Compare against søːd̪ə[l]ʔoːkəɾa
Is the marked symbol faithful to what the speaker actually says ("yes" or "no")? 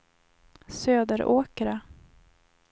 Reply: no